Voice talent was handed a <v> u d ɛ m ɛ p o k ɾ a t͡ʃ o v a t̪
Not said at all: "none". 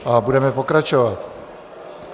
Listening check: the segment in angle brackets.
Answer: b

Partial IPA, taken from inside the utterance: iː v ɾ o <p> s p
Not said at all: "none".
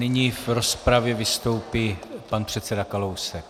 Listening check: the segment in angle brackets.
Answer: none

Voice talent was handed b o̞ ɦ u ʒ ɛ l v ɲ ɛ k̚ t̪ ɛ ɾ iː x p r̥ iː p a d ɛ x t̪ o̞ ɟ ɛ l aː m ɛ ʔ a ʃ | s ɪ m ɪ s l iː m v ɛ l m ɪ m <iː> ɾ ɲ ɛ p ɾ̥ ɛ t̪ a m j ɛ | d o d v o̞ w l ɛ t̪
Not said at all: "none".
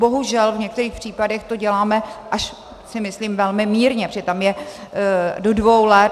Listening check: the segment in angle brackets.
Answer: iː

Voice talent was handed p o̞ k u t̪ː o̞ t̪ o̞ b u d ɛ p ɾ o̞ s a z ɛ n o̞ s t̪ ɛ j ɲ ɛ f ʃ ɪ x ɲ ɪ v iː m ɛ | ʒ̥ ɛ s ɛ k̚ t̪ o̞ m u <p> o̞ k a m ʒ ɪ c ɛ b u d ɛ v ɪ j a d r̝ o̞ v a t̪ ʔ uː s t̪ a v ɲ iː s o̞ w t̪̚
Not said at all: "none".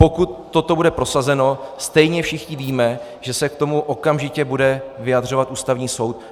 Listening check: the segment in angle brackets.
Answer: ʔ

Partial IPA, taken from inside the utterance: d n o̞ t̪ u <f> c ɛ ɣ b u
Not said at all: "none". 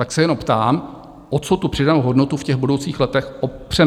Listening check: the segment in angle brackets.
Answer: f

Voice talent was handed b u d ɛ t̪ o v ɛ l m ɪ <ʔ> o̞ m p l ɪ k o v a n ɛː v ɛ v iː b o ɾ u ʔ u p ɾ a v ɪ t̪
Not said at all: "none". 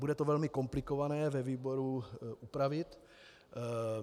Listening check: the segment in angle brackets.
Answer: k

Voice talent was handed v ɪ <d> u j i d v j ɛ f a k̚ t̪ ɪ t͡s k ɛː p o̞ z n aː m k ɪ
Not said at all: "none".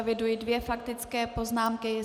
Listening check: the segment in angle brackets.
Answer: d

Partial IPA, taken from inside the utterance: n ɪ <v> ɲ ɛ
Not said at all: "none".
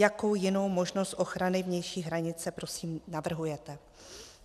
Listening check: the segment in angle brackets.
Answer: v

